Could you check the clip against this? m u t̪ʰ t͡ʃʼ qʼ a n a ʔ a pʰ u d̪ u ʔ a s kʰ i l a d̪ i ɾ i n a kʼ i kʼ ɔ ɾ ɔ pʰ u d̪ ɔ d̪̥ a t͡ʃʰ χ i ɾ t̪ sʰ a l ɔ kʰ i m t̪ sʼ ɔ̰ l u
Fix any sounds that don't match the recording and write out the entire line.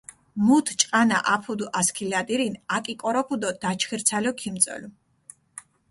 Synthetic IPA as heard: m u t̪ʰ t͡ʃʼ qʼ a n a ʔ a pʰ u d̪ u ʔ a s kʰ i l a d̪ i ɾ i n a kʼ i kʼ ɔ ɾ ɔ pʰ u d̪ ɔ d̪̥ a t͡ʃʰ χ i ɾ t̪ sʰ a l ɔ kʰ i m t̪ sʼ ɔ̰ l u